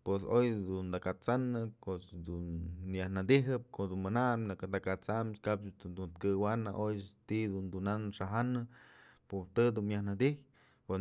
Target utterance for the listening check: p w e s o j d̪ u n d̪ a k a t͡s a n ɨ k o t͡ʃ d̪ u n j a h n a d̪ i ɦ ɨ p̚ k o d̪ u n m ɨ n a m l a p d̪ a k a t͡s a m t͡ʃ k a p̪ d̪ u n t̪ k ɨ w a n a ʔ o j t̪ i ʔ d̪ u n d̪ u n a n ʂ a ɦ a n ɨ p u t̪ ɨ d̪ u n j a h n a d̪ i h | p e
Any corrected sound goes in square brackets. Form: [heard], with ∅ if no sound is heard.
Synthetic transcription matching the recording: p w e s o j d̪ u n d̪ a k a t͡s a n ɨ k o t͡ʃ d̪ u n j a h n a d̪ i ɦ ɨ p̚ k o d̪ u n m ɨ n a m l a [k] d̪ a k a t͡s a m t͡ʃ k a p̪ d̪ u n t̪ k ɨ w a n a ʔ o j t̪ i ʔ d̪ u n d̪ u n a n ʂ a ɦ a n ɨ p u t̪ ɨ d̪ u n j a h n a d̪ i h | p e